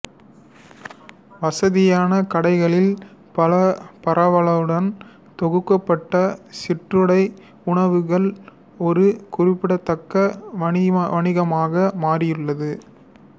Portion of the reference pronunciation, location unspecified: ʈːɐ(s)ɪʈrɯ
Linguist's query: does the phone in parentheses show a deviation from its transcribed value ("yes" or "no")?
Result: no